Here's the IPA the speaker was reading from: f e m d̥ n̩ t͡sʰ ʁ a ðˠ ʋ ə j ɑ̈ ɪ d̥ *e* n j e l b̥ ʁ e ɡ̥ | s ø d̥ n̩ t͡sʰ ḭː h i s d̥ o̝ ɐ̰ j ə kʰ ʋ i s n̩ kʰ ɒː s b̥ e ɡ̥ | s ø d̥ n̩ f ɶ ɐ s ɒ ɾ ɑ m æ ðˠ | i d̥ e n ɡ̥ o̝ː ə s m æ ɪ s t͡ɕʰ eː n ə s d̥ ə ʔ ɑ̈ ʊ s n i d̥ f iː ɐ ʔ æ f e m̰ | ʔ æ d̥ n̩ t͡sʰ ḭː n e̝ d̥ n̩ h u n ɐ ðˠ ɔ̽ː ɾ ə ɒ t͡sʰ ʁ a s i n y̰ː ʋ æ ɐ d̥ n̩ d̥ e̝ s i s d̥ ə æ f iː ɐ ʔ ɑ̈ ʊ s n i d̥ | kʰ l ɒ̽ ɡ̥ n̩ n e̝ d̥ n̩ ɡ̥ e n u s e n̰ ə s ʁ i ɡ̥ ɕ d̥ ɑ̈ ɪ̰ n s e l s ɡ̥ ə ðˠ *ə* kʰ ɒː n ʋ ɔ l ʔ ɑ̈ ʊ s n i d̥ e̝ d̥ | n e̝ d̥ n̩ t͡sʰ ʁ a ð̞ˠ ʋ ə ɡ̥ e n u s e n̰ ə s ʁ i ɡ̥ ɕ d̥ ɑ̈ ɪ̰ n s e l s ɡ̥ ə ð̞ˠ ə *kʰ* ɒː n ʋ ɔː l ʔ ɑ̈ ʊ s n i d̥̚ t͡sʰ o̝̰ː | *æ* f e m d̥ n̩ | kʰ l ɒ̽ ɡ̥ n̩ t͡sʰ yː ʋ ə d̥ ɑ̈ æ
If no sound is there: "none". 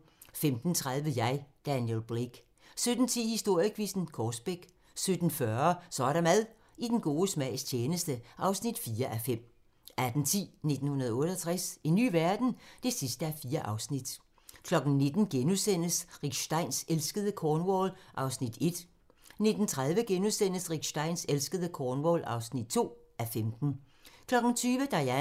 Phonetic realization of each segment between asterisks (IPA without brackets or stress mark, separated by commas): æ, ə, kʰ, æ